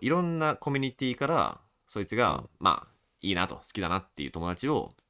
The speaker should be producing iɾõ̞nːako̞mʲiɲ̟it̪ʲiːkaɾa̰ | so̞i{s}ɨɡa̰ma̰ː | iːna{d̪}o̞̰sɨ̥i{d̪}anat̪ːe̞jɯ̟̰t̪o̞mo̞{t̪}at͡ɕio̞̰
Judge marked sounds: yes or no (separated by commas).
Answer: no, no, yes, no